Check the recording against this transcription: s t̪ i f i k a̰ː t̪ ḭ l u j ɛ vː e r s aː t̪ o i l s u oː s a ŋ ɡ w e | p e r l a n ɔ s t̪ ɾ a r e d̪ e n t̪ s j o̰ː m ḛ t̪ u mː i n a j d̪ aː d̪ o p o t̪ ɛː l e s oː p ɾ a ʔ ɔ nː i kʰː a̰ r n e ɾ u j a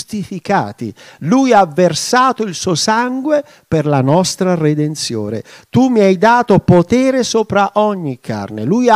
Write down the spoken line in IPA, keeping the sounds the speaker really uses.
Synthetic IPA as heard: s t̪ i f i k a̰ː t̪ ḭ l u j a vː e r s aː t̪ o i l s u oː s a ŋ ɡ w e | p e r l a n ɔ s t̪ ɾ a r e d̪ e n t̪ s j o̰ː n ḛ t̪ u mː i a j d̪ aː t̪ o p o t̪ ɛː ɾ e s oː p ɾ a ʔ ɔ ɲː i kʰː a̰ r n e l u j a